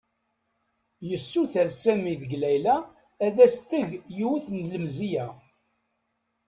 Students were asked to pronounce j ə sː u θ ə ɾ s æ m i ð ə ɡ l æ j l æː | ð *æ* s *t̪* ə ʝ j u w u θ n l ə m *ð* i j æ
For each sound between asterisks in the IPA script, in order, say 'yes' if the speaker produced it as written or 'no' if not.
yes, yes, no

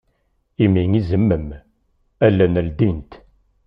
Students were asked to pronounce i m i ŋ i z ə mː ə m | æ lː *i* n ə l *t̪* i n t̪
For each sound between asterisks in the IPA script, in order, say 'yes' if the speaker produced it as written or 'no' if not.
no, no

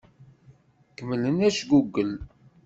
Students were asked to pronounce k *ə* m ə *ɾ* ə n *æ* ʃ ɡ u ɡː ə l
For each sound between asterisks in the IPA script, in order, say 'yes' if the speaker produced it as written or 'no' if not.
yes, no, yes

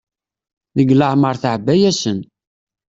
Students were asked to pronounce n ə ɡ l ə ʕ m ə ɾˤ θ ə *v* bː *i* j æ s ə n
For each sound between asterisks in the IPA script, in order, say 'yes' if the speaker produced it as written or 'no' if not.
no, no

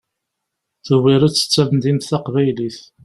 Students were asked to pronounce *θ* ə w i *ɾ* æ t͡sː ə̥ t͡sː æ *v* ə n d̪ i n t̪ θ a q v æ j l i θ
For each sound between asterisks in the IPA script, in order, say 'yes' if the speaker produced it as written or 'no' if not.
yes, yes, yes

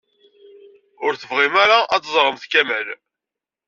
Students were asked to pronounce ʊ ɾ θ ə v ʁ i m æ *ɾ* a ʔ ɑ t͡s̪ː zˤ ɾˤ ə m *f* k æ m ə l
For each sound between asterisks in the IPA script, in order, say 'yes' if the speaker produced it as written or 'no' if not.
yes, no

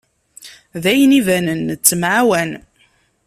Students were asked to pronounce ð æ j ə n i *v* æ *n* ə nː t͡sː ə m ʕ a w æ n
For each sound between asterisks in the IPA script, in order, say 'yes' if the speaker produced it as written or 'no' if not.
yes, yes

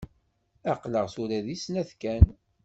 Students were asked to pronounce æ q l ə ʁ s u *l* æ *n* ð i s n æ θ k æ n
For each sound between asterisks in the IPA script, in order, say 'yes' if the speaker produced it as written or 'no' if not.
no, no

